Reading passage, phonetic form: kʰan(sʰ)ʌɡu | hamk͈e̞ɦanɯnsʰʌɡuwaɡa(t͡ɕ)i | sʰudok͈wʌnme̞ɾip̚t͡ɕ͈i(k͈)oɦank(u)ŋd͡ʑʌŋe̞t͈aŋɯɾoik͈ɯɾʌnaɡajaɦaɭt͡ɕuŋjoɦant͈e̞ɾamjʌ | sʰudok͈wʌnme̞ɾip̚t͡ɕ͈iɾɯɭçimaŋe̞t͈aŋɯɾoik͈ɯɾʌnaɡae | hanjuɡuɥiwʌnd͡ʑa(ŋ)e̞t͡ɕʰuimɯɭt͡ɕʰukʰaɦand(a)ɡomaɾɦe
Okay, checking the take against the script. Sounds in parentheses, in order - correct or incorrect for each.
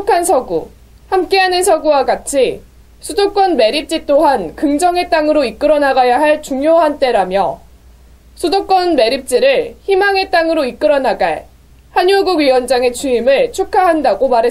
correct, incorrect: t͡ɕʰ, incorrect: t͈, incorrect: ɯ, correct, correct

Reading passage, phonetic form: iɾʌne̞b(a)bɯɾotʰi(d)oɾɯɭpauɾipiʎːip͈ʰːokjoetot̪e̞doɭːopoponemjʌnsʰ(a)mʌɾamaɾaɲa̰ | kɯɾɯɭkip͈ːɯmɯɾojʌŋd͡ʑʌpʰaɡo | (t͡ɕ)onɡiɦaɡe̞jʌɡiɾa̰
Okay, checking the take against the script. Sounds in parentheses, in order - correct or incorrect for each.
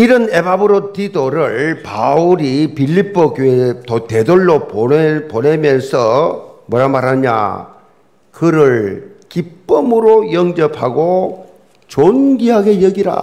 correct, correct, incorrect: ʌ, correct

